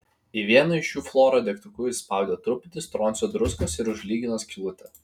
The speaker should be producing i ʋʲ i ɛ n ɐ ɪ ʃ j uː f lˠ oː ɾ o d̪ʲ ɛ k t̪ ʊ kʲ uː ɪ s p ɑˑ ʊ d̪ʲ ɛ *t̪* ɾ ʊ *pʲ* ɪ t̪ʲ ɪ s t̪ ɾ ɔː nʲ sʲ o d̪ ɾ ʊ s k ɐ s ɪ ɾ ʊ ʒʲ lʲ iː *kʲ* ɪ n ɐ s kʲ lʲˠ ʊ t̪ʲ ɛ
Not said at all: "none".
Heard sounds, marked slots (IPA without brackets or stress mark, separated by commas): t̪, pʲ, ɡʲ